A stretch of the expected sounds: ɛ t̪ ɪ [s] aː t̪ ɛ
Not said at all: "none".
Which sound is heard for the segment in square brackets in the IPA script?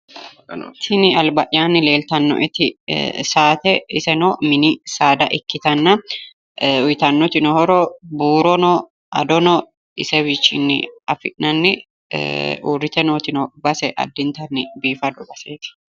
s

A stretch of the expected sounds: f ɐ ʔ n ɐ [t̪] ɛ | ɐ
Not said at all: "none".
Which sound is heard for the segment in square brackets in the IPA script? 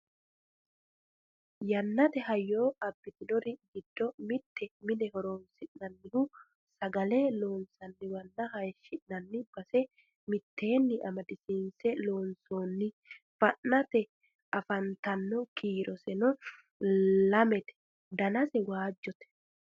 t̪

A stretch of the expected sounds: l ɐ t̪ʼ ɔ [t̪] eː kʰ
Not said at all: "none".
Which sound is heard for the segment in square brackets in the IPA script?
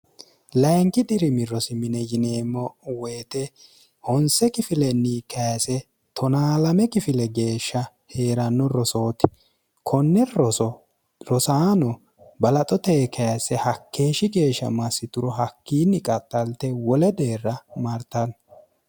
t̪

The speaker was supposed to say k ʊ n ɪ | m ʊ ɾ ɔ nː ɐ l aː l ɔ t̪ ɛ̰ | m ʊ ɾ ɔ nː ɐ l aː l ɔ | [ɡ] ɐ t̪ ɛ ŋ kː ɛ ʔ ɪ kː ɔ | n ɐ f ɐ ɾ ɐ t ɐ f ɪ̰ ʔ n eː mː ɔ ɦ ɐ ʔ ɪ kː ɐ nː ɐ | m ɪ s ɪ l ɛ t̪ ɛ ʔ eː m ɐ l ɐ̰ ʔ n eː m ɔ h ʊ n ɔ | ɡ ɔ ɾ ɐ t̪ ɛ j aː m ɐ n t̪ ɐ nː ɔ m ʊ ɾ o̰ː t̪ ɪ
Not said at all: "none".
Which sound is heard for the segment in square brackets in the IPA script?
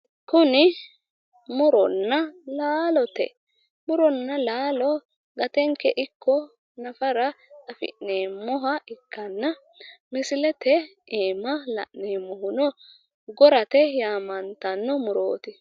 ɡ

